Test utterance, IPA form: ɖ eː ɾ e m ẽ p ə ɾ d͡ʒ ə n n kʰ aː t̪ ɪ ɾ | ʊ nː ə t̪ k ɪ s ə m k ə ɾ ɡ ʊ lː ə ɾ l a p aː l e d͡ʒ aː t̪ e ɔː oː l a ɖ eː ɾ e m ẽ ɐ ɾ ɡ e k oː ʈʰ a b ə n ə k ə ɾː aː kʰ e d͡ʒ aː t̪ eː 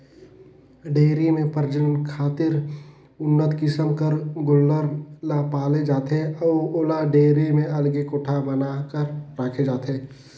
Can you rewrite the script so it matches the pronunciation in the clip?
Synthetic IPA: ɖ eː ɾ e m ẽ p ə ɾ d͡ʒ ə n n kʰ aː t̪ ɪ ɾ | ʊ nː ə t̪ k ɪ s ə m k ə ɾ ɡ ʊ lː ə ɾ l a p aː l e d͡ʒ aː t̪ e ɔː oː l a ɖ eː ɾ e m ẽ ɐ l ɡ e k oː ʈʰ a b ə n a k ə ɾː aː kʰ e d͡ʒ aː t̪ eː